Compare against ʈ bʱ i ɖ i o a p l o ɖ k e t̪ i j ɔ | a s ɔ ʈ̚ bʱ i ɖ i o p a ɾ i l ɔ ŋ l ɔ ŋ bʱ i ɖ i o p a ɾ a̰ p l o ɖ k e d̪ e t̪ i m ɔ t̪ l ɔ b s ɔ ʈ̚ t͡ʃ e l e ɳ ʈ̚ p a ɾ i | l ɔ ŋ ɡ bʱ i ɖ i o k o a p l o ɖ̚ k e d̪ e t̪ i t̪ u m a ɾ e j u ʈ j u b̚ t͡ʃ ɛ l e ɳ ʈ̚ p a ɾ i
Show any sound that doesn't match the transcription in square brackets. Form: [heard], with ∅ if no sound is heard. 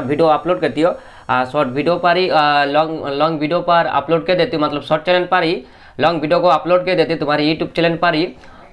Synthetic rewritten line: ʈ bʱ i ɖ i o a p l o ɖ k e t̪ i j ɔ | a s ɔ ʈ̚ bʱ i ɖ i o p a ɾ i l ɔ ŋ l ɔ ŋ bʱ i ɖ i o p a ɾ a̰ p l o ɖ k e d̪ e t̪ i m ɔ t̪ l ɔ b s ɔ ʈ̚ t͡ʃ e l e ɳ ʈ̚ p a ɾ i | l ɔ ŋ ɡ bʱ i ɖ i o k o a p l o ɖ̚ k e d̪ e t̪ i t̪ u m a ɾ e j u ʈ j u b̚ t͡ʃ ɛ l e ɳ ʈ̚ p a ɾ i

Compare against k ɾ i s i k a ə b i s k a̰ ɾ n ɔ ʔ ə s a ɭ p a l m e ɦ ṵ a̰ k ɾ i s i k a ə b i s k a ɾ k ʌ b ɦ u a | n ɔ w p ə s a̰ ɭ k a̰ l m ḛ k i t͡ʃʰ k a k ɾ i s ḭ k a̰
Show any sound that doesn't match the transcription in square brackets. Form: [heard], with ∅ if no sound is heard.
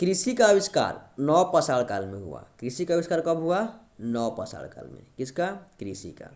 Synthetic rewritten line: k ɾ i s i k a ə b i s k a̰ ɾ n ɔ [p] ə s a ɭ [k] a l m e ɦ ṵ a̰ k ɾ i s i k a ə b i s k a ɾ k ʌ b ɦ u a | n ɔ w p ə s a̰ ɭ k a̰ l m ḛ k i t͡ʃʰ k a k ɾ i s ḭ k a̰

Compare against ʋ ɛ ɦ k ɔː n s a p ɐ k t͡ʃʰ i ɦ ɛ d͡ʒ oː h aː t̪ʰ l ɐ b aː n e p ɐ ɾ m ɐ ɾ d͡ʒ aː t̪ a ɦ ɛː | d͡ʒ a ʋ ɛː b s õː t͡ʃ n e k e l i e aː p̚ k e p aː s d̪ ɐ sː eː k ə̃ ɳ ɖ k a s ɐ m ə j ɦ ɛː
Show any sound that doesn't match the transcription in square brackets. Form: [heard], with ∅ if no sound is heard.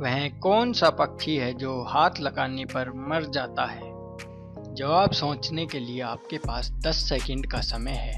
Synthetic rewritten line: ʋ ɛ ɦ k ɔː n s a p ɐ k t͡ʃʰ i ɦ ɛ d͡ʒ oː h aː t̪ʰ l ɐ [ɡ] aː n e p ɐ ɾ m ɐ ɾ d͡ʒ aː t̪ a ɦ ɛː | d͡ʒ [ɐ] ʋ [aː] b s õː t͡ʃ n e k e l i e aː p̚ k e p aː s d̪ ɐ sː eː k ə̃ ɳ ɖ k a s ɐ m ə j ɦ ɛː

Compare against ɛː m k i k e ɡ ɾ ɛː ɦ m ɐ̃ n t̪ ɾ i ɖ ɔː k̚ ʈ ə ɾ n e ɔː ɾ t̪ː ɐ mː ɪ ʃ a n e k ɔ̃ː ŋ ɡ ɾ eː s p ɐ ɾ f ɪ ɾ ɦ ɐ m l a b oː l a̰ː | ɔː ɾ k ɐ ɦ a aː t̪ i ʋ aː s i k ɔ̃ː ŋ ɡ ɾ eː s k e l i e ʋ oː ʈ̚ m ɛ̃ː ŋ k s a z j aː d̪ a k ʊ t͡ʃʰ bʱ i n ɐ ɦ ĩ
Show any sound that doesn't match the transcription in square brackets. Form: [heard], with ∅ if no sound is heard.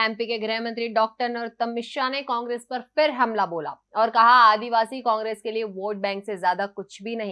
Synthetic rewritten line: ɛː m [p] i k e ɡ ɾ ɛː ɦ m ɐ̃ n t̪ ɾ i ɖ ɔː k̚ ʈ ə ɾ n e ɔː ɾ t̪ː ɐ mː ɪ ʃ a n e k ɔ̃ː ŋ ɡ ɾ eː s p ɐ ɾ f ɪ ɾ ɦ ɐ m l a b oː l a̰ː | ɔː ɾ k ɐ ɦ a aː [d̪] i ʋ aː s i k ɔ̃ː ŋ ɡ ɾ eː s k e l i e ʋ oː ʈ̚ [b] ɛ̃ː ŋ k s [e] z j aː d̪ a k ʊ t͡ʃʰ bʱ i n ɐ ɦ ĩ

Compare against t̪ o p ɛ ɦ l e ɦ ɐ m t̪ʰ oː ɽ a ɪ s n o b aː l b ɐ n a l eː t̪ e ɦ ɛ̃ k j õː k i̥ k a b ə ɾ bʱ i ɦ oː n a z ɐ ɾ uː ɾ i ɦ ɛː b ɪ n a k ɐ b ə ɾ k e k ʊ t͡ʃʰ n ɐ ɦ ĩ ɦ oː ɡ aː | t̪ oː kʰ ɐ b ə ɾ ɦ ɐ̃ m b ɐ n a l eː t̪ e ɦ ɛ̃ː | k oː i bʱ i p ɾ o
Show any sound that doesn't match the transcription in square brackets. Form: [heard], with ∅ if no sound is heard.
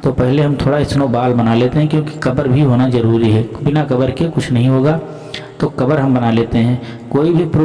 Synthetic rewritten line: t̪ o p ɛ ɦ l e ɦ ɐ m t̪ʰ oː ɽ a ɪ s n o b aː l b ɐ n a l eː t̪ e ɦ ɛ̃ k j õː k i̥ k [ɐ] b ə ɾ bʱ i ɦ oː n a z ɐ ɾ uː ɾ i ɦ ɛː b ɪ n a k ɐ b ə ɾ k e k ʊ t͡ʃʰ n ɐ ɦ ĩ ɦ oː ɡ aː | t̪ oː [k] ɐ b ə ɾ ɦ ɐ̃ m b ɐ n a l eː t̪ e ɦ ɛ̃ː | k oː i bʱ i p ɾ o

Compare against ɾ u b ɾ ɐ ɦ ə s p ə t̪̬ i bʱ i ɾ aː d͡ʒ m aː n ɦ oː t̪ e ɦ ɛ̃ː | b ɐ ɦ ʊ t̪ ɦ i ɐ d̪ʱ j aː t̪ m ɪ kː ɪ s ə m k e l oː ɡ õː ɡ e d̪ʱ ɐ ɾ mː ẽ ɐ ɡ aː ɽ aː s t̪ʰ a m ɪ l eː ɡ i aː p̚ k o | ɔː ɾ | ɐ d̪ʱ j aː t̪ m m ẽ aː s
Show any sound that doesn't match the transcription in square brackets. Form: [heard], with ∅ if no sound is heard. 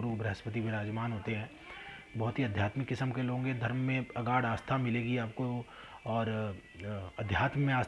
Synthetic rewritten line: ɾ u b ɾ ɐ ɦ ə s p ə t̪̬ i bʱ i ɾ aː d͡ʒ m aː n ɦ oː t̪ e ɦ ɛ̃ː | b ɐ ɦ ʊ t̪ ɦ i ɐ d̪ʱ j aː t̪ m ɪ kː ɪ s ə m k e l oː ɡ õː ɡ e d̪ʱ ɐ ɾ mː ẽ ɐ ɡ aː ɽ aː s t̪ʰ a m ɪ l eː ɡ i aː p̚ k o | ɔː ɾ | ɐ d̪ʱ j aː t̪ m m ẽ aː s

